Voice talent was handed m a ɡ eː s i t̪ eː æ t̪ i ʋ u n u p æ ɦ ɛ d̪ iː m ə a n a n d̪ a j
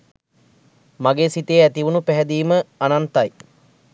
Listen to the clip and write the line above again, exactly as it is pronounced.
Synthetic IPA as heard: m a ɡ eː s i t̪ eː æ t̪ i ʋ u n u p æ ɦ ɛ d̪ iː m ə a n a n t̪ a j